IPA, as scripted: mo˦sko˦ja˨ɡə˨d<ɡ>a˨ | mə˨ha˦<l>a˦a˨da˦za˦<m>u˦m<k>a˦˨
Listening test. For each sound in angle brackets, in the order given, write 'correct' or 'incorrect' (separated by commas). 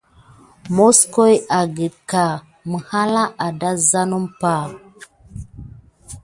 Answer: incorrect, correct, incorrect, incorrect